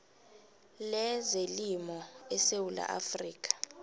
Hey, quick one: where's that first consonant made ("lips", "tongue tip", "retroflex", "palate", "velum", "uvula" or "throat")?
tongue tip